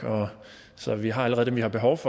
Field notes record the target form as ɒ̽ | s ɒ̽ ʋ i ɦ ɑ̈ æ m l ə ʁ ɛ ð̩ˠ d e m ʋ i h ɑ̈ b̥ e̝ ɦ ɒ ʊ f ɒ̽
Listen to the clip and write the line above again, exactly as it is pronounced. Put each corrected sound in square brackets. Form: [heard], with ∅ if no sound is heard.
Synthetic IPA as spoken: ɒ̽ | s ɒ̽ ʋ i ɦ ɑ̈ æ [∅] l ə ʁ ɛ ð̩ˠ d e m ʋ i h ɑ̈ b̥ e̝ ɦ ɒ ʊ f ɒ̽